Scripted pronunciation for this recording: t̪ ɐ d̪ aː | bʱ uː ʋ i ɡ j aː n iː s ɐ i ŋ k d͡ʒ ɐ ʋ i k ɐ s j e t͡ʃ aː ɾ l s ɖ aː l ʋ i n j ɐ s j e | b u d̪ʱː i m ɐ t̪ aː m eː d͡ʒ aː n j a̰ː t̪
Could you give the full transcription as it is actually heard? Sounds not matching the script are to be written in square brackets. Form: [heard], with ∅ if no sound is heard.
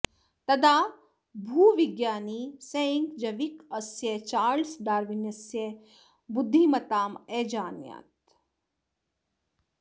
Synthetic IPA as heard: t̪ ɐ d̪ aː | bʱ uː ʋ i ɡ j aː n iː s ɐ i ŋ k d͡ʒ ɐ ʋ i k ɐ s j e t͡ʃ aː ɾ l s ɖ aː [ɾ] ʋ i n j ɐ s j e | b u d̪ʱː i m ɐ t̪ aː m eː d͡ʒ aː n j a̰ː t̪